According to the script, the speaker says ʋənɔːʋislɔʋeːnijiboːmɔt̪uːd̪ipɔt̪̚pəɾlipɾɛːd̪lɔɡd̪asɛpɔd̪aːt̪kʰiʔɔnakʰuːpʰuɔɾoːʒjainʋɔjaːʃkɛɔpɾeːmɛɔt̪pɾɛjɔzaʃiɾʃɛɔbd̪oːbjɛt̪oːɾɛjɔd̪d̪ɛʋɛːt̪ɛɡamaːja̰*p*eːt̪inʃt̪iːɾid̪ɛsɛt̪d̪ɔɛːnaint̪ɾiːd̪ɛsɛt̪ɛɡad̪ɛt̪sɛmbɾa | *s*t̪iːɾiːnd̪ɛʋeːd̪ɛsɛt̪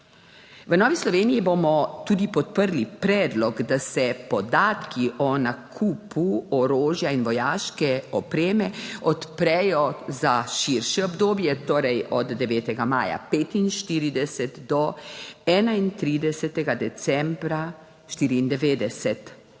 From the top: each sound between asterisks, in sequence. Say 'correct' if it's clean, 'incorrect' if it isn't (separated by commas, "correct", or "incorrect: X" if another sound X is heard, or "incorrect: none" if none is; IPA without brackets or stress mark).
correct, incorrect: ʃ